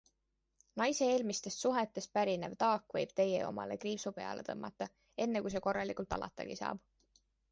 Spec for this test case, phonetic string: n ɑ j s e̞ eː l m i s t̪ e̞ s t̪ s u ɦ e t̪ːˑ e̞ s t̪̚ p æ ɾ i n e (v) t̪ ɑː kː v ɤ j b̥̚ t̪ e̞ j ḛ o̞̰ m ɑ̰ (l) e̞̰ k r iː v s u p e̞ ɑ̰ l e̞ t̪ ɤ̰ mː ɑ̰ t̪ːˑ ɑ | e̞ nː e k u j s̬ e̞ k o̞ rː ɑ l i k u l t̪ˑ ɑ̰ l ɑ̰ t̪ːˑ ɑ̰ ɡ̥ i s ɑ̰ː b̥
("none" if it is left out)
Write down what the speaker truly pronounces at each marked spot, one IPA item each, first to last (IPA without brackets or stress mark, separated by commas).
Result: v, l